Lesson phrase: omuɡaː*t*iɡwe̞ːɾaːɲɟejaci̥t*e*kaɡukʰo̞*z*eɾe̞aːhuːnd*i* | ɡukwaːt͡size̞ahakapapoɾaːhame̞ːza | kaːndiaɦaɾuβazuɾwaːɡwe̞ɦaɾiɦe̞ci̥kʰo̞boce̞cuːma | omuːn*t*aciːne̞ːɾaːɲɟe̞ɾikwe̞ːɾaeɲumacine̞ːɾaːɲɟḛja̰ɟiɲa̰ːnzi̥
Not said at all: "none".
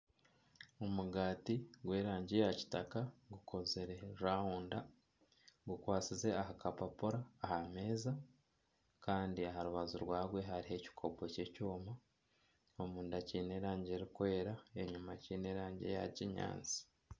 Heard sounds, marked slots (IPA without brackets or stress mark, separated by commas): t, a, z, a, d